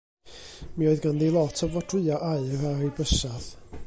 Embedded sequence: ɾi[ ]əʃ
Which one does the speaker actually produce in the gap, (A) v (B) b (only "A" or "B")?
B